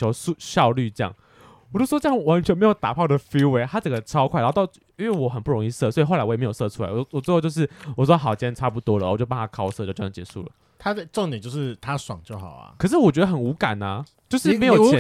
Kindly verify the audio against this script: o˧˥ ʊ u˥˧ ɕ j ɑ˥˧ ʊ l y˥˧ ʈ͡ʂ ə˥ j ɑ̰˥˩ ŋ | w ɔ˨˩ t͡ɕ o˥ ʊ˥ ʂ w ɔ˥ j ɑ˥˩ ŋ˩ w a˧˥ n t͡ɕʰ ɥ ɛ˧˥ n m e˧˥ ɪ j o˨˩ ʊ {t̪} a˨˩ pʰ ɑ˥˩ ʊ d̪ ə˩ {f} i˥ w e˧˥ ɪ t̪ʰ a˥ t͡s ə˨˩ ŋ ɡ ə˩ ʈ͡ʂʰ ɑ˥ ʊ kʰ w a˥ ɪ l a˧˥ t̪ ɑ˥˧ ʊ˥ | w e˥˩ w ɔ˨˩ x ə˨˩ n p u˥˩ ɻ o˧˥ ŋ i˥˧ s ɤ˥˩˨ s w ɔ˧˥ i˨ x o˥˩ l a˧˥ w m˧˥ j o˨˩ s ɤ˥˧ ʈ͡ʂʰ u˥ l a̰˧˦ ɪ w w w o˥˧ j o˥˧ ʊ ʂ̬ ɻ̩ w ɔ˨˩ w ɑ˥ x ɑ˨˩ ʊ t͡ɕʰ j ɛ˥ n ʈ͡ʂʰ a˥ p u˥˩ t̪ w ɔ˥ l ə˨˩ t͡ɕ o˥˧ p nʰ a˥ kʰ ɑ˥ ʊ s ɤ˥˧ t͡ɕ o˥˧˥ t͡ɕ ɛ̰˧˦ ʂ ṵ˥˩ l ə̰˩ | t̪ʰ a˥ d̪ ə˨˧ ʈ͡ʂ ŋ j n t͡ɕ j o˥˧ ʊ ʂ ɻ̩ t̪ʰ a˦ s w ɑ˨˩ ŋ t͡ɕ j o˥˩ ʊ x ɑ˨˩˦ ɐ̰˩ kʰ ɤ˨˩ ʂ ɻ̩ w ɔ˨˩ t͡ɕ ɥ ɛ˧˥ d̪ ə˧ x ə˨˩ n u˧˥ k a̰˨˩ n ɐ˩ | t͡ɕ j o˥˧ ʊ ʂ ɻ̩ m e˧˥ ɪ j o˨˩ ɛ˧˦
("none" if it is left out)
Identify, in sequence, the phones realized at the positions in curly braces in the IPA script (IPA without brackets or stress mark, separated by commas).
t̪, f